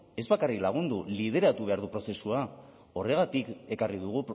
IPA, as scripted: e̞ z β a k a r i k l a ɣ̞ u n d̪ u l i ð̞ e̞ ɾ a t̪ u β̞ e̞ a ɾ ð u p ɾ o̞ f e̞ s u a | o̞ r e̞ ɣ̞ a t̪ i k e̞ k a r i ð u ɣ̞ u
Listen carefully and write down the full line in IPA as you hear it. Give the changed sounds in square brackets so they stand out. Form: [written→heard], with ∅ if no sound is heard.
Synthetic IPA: e̞ z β a k a r i k l a ɣ̞ u n d̪ u l i ð̞ e̞ ɾ a t̪ u β̞ e̞ a ɾ ð u p ɾ o̞ [f→s] e̞ s u a | o̞ r e̞ ɣ̞ a t̪ i k e̞ k a r i ð u ɣ̞ u